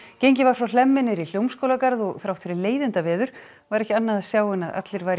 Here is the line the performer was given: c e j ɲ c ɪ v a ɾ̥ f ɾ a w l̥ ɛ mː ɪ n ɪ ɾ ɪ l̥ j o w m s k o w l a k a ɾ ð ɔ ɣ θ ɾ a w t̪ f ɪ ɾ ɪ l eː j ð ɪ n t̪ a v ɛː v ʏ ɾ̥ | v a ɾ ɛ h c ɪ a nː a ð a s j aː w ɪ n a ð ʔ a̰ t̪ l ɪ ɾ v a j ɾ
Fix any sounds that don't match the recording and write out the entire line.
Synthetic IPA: c e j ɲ c ɪ v a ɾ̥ f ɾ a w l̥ ɛ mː ɪ n ɪ ɾ i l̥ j o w m s k o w l a k a ɾ ð ɔ ɣ θ ɾ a w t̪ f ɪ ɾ ɪ l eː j ð ɪ n t̪ a v ɛː ð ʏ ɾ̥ | v a ɾ ɛ h c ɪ a nː a ð a s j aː w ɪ n a ð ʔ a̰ t̪ l ɪ ɾ v a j ɾ